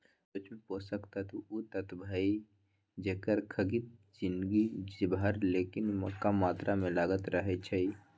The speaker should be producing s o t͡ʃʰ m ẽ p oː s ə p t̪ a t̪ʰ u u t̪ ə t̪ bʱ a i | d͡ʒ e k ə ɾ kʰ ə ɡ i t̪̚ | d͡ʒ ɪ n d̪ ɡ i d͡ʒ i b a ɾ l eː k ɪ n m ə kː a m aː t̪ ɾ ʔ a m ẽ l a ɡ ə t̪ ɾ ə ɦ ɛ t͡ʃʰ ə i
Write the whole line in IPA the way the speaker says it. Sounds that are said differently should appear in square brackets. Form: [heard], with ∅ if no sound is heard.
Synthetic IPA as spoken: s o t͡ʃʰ m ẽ p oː s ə [k] t̪ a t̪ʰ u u t̪ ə t̪ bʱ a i | d͡ʒ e k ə ɾ kʰ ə ɡ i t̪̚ | d͡ʒ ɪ n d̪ ɡ i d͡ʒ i b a ɾ l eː k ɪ n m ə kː a m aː t̪ ɾ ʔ a m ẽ l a ɡ ə t̪ ɾ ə ɦ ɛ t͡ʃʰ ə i